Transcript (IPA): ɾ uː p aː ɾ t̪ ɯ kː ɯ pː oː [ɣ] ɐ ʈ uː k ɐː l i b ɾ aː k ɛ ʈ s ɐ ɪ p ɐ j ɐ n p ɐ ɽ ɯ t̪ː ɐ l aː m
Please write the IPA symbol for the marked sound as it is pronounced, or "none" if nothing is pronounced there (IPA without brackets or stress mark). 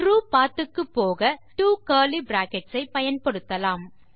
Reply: ɣ